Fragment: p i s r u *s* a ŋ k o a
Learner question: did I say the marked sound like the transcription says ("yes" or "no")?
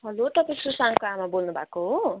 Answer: yes